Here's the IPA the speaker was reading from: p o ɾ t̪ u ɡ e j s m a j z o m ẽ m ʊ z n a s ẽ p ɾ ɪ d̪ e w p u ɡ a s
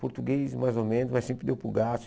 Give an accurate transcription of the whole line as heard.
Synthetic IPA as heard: p o ɾ t̪ u ɡ e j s m a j z o m ẽ n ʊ z m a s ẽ p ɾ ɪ d̪ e w p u ɡ a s